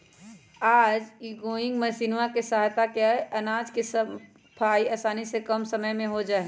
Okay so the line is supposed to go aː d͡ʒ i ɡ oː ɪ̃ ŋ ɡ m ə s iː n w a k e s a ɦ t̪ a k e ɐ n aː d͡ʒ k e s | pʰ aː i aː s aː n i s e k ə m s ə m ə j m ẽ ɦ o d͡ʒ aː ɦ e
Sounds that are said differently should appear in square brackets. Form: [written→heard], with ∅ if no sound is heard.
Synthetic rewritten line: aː d͡ʒ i ɡ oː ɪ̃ ŋ ɡ m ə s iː n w a k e s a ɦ t̪ a k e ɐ n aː d͡ʒ k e s | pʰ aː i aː s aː n i s e k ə m s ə m ə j m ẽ ɦ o d͡ʒ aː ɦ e